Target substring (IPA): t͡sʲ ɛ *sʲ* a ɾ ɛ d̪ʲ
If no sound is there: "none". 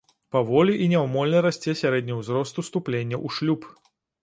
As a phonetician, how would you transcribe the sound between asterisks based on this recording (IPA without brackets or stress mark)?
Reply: sʲ